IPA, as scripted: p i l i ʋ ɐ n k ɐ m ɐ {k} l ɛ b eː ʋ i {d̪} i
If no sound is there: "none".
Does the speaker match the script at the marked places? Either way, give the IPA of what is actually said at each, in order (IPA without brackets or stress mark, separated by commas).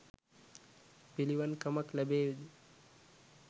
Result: k, d̪